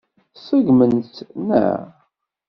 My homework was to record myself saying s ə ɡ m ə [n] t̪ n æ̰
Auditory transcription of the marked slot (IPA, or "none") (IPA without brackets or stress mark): n